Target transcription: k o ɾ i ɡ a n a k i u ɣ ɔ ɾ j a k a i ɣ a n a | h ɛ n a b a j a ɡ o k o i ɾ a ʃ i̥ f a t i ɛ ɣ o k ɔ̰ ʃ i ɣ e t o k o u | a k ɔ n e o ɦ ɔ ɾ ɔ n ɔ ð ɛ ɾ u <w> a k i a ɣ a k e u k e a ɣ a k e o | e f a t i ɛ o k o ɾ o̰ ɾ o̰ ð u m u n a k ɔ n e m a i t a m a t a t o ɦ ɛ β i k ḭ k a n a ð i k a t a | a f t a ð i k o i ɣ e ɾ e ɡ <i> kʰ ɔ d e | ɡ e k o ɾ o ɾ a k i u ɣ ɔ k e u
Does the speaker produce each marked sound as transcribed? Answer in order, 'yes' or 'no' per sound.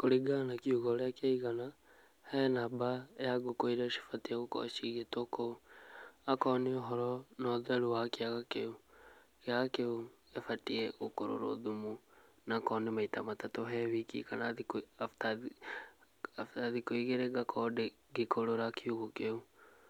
yes, no

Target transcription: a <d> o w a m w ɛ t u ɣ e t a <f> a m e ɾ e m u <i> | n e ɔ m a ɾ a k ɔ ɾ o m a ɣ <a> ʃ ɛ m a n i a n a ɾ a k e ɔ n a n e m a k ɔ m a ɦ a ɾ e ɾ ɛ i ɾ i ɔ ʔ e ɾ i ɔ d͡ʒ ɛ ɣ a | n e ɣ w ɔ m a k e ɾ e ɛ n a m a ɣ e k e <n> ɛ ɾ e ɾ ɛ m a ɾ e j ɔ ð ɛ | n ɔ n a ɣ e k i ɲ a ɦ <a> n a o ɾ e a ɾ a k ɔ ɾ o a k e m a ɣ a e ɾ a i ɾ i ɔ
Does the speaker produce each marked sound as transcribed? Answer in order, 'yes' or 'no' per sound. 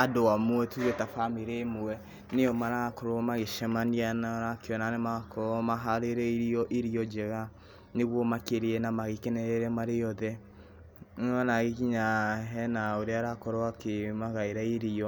yes, yes, no, no, yes, no

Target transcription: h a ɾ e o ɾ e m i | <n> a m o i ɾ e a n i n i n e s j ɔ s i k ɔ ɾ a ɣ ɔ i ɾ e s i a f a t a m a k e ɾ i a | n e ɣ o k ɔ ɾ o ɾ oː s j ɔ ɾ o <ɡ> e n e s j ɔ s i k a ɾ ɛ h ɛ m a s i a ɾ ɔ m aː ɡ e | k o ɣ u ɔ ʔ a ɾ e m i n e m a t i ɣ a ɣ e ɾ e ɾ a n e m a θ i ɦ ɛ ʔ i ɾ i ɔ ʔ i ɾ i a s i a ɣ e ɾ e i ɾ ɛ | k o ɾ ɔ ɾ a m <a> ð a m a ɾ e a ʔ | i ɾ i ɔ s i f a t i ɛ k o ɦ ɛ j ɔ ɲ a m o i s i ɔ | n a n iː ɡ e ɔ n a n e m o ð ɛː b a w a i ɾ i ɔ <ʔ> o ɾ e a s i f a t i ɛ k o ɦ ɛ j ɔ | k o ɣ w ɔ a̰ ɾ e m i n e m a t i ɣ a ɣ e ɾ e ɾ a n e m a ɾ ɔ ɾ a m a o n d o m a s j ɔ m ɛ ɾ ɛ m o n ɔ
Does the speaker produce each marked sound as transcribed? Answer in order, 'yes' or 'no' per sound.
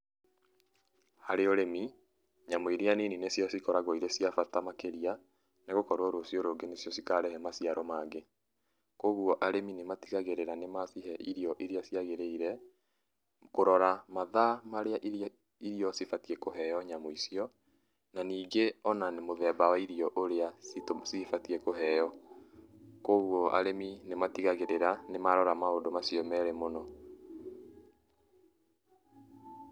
no, yes, yes, yes

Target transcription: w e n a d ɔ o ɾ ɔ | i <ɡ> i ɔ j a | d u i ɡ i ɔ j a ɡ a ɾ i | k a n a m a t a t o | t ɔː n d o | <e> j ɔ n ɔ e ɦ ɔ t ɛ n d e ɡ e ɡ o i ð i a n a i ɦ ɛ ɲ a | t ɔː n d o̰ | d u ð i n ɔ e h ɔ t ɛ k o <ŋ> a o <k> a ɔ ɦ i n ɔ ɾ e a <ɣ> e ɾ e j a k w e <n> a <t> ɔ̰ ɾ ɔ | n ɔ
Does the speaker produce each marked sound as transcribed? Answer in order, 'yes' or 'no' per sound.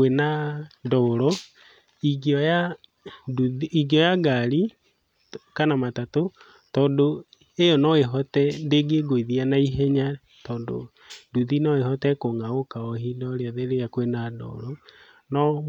yes, yes, yes, yes, no, yes, no

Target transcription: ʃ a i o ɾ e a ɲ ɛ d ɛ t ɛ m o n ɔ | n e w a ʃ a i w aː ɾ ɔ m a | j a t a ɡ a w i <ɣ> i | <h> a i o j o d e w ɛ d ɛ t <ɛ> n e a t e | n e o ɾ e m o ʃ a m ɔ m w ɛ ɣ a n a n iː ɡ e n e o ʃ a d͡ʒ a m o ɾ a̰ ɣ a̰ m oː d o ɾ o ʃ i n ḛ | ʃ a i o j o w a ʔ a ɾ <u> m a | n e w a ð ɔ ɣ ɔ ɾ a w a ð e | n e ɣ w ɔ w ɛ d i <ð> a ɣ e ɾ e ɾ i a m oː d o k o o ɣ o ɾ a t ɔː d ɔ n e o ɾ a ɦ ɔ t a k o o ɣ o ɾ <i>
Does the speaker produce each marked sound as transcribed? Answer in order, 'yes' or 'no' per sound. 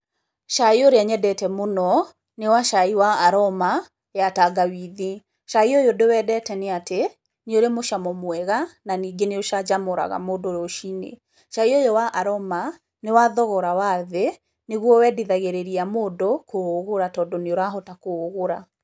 no, no, yes, no, yes, no

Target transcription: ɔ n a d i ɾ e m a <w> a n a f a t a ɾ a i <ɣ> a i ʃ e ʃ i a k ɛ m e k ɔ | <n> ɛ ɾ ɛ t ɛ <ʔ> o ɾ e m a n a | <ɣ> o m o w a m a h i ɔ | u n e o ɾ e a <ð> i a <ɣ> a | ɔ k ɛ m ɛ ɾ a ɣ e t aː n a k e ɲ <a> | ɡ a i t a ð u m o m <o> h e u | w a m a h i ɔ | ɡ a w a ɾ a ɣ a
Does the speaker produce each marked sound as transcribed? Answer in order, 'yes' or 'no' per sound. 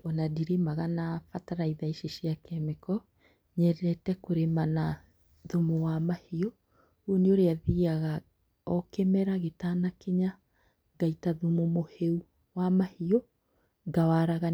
no, no, no, no, no, yes, yes, yes, yes

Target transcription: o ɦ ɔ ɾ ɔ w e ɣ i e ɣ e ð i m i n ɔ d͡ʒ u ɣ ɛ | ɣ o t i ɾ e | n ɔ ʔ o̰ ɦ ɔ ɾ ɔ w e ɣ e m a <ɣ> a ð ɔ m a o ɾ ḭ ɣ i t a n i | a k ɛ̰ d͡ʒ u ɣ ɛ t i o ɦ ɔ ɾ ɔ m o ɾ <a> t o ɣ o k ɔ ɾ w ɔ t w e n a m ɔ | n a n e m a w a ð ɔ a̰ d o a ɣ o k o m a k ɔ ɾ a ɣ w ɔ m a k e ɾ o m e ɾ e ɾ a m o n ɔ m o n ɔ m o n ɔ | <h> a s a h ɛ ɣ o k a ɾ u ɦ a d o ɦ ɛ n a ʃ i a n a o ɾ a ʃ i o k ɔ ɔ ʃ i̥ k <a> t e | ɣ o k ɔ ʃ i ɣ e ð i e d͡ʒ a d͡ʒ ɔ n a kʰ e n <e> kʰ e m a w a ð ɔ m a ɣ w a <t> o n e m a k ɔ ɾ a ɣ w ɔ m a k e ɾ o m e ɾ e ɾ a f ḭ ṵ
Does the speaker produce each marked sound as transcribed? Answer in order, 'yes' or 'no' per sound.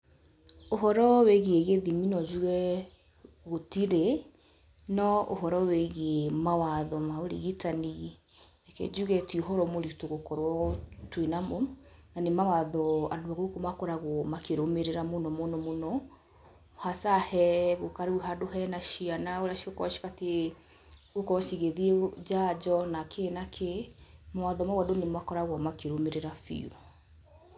no, no, yes, yes, no, no

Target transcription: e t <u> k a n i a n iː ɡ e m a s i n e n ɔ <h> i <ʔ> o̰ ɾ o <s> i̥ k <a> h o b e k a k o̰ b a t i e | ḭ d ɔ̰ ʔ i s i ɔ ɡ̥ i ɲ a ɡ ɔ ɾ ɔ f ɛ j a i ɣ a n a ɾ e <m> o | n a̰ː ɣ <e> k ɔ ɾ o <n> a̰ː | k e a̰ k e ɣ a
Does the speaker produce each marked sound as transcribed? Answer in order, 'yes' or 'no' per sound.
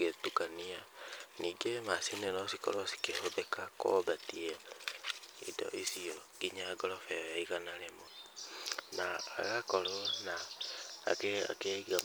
yes, no, no, yes, no, yes, no, yes

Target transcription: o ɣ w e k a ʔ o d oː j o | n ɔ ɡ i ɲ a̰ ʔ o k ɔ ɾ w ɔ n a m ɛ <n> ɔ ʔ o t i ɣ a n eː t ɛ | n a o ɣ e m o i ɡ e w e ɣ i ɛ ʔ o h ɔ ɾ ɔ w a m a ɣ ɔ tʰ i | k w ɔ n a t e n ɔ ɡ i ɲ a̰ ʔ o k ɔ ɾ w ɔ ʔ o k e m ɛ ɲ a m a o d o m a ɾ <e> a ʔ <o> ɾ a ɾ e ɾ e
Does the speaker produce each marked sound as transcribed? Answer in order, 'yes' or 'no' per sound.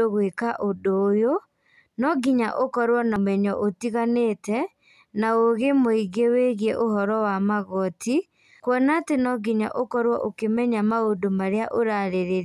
no, yes, yes

